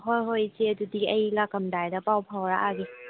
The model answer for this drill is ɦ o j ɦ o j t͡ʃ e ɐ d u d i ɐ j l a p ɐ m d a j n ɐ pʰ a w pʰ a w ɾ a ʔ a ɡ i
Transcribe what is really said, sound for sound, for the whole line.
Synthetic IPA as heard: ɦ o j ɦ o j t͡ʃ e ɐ d u d i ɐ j l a k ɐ m d a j d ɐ p a w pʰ a w ɾ a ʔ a ɡ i